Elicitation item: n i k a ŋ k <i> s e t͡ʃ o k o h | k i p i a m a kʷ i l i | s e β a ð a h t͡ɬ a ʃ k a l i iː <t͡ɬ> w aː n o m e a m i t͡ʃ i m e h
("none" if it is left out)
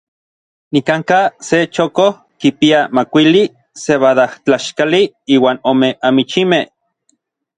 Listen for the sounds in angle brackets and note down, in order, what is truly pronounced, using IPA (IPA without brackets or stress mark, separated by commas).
a, none